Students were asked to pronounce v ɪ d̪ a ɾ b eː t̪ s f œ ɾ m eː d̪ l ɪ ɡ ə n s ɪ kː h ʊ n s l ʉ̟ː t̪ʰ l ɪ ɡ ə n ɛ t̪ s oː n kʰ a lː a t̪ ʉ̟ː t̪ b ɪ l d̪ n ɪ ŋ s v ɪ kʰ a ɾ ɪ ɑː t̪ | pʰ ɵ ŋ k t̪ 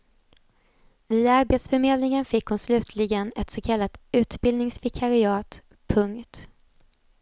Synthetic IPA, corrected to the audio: v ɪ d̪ a ɾ b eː t̪ s f œ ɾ m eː d̪ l ɪ ŋ ə n f ɪ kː h ʊ n s l ʉ̟ː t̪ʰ l ɪ ɡ ə n ɛ t̪ s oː kʰ a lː a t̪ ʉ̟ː t̪ b ɪ l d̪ n ɪ ŋ s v ɪ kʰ a ɾ ɪ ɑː t̪ | pʰ ɵ ŋ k t̪

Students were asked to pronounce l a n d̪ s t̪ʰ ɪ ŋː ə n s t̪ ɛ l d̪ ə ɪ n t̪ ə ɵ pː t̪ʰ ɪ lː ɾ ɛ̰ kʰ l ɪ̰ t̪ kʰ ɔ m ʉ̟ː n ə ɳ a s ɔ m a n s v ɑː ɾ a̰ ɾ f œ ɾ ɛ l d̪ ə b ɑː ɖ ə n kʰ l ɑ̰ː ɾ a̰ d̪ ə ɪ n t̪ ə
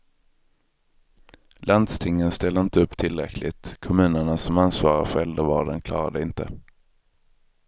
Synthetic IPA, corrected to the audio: l a n d̪ s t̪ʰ ɪ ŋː ə n s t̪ ɛ l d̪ ə ɪ n t̪ ə ɵ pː t̪ʰ ɪ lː ɾ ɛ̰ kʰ l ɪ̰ t̪ kʰ ɔ m ʉ̟ː n ə ɳ a s ɔ m a n s v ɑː ɾ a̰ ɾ f œ ɾ ɛ l d̪ ə v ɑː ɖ ə n kʰ l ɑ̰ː ɾ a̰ d̪ ə ɪ n t̪ ə

